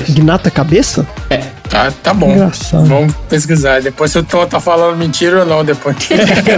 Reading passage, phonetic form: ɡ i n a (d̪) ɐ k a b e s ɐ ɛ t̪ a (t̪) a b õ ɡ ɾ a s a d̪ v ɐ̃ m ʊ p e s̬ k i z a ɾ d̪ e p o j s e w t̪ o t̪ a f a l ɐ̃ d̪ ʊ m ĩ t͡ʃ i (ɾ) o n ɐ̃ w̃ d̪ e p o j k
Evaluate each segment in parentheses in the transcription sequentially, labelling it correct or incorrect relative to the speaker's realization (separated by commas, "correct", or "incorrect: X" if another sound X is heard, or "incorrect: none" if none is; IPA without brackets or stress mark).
incorrect: t̪, correct, correct